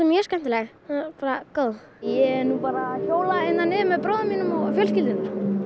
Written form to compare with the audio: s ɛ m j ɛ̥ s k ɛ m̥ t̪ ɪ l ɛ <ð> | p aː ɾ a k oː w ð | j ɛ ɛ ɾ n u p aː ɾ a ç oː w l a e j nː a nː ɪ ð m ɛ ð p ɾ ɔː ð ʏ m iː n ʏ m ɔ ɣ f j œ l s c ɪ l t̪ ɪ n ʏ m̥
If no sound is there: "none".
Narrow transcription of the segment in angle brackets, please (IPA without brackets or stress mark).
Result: ɣ